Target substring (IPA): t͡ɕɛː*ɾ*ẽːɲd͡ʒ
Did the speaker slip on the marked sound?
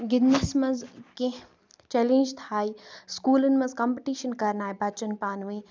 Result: yes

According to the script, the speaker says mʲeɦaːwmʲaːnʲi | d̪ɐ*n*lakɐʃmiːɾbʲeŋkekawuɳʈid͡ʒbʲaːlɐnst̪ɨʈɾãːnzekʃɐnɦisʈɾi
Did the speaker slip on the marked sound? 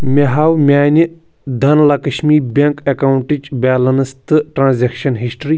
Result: no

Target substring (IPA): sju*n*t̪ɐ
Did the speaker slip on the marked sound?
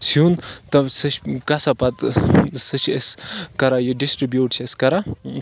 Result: no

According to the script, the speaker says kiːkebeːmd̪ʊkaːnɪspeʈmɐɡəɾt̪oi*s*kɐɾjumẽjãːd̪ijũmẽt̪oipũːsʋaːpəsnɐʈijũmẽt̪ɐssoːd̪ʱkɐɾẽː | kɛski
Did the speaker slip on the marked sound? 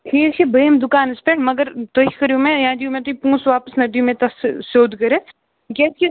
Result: yes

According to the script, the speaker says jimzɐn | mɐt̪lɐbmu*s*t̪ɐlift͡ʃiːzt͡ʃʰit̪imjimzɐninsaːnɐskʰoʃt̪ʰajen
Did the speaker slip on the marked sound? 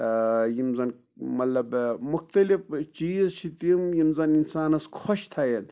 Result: yes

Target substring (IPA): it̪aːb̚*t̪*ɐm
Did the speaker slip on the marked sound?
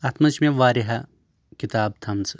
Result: yes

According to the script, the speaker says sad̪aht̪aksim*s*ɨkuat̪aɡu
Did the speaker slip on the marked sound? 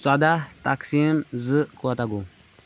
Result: yes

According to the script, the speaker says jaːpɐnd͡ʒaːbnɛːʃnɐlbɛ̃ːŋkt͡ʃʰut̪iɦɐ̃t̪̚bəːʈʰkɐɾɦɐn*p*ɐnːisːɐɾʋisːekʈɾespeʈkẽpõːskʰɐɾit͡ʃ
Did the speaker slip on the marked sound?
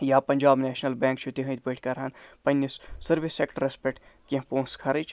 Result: no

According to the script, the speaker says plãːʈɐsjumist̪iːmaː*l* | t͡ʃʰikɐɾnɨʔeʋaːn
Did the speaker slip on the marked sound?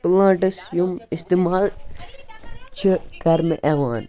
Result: no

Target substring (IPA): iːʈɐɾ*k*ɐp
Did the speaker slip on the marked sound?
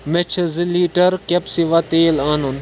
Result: no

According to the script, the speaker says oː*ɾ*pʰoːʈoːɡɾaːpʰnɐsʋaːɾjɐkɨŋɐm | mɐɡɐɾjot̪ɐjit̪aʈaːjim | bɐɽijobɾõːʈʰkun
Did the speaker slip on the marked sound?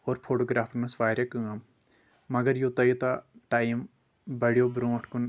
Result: no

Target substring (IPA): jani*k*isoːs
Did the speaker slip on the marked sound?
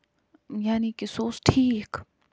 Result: no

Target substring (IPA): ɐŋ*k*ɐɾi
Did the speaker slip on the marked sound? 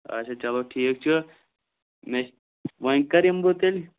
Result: no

